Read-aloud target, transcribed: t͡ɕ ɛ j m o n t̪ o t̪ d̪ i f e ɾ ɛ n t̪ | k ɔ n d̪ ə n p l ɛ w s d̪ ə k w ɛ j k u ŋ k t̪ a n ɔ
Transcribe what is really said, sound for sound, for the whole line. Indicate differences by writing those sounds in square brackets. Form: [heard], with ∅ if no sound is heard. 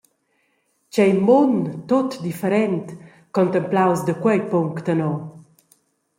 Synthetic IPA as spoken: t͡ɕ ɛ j m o n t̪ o t̪ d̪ i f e ɾ ɛ n t̪ | k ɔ n [t̪] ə [m] p l [a] w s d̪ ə k w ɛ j [p] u ŋ k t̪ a n ɔ